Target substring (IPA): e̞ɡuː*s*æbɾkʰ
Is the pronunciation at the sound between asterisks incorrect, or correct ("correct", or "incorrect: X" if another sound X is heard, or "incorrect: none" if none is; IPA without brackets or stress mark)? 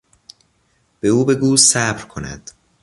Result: correct